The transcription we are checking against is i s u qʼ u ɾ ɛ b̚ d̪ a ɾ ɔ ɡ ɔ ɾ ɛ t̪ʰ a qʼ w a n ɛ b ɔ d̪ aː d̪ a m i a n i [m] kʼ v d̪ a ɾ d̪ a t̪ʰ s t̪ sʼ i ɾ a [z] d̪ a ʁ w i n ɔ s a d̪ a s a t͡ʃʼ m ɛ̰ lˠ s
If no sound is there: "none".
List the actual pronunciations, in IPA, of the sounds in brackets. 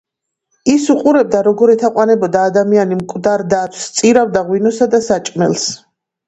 m, v

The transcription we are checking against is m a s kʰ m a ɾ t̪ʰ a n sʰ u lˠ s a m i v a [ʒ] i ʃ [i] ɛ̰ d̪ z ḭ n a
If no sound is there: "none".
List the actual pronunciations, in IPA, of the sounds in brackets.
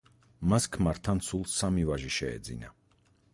ʒ, ɛ

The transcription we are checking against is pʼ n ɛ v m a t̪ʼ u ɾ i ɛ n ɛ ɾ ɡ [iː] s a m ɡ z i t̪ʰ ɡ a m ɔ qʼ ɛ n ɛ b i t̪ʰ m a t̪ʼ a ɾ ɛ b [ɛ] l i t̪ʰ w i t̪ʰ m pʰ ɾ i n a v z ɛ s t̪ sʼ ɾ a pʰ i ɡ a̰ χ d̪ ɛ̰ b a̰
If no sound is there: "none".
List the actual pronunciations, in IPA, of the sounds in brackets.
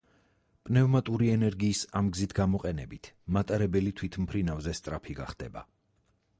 iː, ɛ

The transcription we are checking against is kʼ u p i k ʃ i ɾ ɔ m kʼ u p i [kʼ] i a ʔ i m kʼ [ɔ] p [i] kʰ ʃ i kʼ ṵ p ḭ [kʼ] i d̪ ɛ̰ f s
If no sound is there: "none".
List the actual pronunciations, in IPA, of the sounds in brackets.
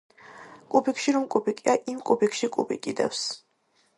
kʼ, u, i, kʼ

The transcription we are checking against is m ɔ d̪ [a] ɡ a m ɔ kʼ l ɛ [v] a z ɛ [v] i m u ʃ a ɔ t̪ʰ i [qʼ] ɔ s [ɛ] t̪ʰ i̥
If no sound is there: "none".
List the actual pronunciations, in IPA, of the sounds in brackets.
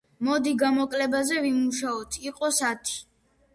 i, b, v, qʼ, a

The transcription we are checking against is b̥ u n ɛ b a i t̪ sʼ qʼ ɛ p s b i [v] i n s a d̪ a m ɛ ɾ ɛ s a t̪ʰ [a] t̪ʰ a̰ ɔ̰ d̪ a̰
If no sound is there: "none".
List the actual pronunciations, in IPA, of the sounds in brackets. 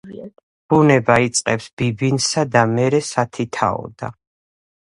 b, i

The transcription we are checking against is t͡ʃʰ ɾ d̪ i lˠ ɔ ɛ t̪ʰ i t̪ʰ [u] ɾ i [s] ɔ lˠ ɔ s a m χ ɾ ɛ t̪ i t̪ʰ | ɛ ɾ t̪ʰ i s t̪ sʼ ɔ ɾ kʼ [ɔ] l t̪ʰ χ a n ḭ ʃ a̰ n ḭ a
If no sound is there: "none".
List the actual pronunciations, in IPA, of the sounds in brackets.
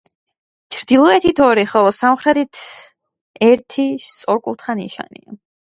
ɔ, χ, u

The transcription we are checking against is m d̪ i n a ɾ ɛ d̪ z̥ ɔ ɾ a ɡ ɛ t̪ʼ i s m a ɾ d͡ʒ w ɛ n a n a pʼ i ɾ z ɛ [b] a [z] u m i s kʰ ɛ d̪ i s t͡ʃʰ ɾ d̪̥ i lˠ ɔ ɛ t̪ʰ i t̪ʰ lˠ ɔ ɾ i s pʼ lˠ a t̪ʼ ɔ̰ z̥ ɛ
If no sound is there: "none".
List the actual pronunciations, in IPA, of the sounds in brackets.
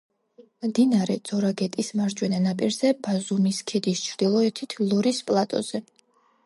b, z

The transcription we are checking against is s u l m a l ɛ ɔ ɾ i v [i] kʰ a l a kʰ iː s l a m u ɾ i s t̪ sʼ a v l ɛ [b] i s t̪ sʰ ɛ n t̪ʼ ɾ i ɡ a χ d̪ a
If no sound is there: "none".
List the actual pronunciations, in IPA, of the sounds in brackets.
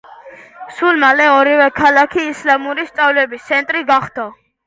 ɛ, b

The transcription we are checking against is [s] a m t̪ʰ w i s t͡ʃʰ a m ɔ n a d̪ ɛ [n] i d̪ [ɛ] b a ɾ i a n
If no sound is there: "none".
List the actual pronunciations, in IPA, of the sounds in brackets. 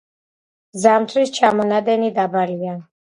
z, n, a

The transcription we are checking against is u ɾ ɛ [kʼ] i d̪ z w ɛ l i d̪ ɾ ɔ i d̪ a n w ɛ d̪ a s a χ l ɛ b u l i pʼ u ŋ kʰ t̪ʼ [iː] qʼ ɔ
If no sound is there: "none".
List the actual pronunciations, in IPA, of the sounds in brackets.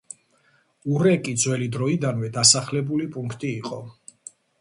kʼ, iː

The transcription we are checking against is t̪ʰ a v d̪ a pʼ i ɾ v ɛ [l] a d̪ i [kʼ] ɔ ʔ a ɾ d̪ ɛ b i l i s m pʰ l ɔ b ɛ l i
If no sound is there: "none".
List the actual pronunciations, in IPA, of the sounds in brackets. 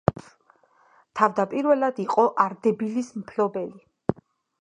l, qʼ

